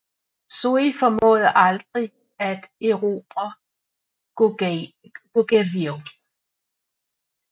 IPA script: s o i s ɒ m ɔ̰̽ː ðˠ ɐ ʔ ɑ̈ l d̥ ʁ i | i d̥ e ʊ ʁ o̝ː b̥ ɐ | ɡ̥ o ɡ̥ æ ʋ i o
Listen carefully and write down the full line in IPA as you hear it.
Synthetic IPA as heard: s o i f ɒ m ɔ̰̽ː ðˠ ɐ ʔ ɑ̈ l d̥ ʁ i | æ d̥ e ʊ ʁ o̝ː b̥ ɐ | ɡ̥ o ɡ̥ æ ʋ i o